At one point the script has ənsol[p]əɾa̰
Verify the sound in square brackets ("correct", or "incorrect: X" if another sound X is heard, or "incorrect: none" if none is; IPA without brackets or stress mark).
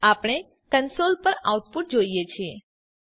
correct